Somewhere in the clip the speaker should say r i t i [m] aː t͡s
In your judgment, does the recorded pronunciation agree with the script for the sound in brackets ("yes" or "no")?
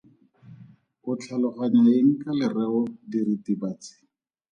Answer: no